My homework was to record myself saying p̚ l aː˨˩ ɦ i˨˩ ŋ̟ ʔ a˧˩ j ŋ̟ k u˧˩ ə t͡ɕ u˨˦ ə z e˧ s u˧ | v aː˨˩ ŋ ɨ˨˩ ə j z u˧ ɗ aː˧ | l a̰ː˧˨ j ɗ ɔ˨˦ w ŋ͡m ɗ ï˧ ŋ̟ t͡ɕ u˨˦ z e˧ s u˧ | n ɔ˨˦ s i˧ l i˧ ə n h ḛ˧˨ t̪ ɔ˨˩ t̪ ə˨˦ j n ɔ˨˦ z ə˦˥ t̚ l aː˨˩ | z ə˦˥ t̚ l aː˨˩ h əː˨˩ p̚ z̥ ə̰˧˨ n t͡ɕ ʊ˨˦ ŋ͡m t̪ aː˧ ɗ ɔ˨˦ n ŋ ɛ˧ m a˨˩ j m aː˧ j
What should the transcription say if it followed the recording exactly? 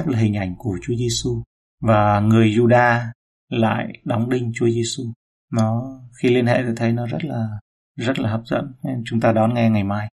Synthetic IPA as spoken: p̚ l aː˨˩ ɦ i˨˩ ŋ̟ ʔ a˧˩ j ŋ̟ k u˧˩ ə t͡ɕ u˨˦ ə z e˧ s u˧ | v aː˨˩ ŋ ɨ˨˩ ə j z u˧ ɗ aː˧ | l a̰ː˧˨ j ɗ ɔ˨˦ w ŋ͡m ɗ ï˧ ŋ̟ t͡ɕ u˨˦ z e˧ s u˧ | n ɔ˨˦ x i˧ l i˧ ə n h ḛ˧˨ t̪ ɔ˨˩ t̪ʰ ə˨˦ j n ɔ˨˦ z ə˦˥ t̚ l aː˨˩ | z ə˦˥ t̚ l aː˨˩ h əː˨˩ p̚ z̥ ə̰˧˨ n t͡ɕ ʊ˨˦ ŋ͡m t̪ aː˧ ɗ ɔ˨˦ n ŋ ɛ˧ ŋ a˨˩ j m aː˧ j